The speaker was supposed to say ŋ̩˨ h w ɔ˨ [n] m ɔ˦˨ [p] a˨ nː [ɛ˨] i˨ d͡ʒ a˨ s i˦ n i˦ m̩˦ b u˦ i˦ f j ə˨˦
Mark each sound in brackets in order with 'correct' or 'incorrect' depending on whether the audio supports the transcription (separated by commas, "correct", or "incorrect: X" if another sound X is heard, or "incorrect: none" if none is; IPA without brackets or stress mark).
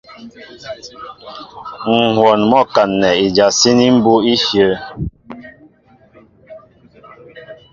correct, incorrect: k, correct